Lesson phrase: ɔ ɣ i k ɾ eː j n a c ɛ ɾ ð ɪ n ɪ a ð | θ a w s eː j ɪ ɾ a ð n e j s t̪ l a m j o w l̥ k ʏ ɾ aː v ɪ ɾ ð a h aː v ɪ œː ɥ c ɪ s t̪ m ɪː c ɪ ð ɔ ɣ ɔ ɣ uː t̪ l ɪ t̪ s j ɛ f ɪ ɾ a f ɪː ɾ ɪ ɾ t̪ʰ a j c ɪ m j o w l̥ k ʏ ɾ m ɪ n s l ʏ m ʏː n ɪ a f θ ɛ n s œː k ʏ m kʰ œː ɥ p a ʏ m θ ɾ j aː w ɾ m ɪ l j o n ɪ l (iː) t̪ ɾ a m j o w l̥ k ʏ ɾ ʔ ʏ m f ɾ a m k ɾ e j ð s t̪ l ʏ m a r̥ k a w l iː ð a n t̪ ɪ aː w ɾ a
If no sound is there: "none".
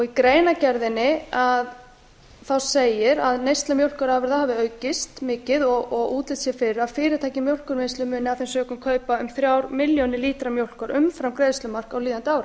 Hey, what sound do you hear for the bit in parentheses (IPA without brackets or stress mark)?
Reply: iː